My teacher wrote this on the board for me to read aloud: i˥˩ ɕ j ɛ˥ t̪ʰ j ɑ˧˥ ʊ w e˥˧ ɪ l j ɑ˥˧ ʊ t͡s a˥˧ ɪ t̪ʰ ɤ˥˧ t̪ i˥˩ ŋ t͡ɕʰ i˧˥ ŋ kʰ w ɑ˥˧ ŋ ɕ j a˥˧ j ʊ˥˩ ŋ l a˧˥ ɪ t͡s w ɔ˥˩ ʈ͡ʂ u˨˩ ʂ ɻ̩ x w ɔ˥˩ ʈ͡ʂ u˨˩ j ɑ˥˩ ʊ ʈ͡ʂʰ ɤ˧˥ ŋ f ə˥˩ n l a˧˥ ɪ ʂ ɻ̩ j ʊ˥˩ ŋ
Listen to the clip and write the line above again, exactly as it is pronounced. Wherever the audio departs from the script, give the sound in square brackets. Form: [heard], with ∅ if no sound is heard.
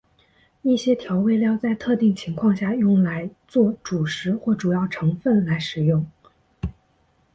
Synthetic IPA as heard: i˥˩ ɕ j ɛ˥ t̪ʰ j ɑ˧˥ ʊ w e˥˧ ɪ l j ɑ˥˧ ʊ t͡s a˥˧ ɪ t̪ʰ ɤ˥˧ t̪ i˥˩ ŋ t͡ɕʰ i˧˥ ŋ kʰ w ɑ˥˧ ŋ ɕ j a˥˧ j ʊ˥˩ ŋ l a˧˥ ɪ t͡s w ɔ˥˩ ʈ͡ʂ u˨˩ ʂ ɻ̩ x w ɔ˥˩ ʈ͡ʂ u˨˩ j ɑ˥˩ ʊ ʈ͡ʂʰ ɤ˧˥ ŋ f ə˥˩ n l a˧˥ ɪ ʂ ɻ̩ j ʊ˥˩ ŋ